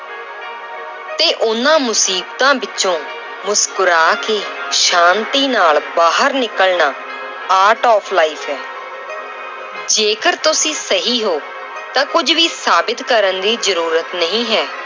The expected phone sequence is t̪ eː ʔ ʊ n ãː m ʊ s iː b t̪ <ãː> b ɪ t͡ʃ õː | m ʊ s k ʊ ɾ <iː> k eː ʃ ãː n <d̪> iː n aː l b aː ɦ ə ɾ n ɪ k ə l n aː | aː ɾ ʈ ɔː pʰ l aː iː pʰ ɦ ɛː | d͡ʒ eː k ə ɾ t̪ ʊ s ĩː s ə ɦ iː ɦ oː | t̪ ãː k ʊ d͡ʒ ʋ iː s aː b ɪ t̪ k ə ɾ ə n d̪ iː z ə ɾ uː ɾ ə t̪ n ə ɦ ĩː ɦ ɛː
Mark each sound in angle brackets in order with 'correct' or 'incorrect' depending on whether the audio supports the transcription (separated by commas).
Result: correct, incorrect, incorrect